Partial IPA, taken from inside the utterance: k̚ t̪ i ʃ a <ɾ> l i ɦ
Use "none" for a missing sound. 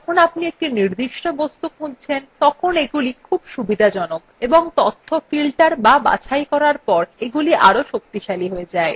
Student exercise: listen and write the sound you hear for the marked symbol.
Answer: none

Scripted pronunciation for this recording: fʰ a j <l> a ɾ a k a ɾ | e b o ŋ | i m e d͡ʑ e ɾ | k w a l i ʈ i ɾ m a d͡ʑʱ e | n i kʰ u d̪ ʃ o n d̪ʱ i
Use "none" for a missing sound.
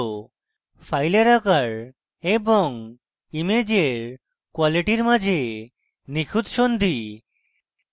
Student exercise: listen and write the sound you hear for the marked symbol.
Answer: l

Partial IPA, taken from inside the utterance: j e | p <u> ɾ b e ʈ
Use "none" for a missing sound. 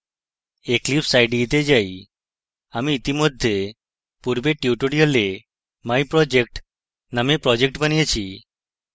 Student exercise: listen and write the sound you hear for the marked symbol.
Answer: u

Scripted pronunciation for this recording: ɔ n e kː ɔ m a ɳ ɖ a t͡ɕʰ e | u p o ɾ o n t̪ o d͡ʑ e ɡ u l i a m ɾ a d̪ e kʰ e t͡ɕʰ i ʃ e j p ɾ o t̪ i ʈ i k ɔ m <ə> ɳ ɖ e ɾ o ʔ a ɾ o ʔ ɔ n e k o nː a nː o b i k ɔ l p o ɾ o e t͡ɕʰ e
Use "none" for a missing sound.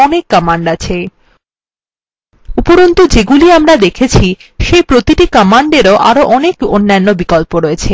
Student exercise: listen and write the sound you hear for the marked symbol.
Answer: a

